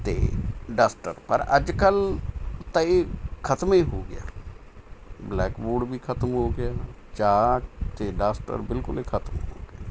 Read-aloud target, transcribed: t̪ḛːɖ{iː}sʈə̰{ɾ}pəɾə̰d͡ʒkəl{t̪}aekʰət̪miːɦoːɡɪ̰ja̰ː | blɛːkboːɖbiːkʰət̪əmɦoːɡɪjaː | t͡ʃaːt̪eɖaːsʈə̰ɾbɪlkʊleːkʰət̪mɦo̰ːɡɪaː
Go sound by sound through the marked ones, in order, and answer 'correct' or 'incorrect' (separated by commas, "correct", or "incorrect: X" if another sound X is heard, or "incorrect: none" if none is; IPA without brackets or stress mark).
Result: incorrect: aː, correct, correct